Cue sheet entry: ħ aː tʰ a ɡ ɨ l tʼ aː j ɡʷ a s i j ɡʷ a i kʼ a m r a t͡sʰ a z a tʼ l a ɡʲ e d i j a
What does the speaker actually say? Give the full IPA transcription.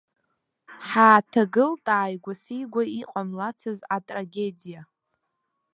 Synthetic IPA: ħ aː tʰ a ɡ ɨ l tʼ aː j ɡʷ a s i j ɡʷ a i qʼ a m l a t͡sʰ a z a tʼ r a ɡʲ e d i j a